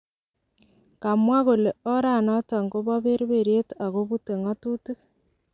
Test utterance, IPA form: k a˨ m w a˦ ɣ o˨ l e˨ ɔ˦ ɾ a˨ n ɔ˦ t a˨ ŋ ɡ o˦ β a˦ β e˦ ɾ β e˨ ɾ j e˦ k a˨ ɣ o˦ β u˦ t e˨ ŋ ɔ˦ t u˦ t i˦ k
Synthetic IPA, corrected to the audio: k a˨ m w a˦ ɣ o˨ l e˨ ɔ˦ ɾ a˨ n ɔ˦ t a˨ ŋ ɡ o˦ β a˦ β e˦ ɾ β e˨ ɾ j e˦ t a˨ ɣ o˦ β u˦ t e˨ ŋ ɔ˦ t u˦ t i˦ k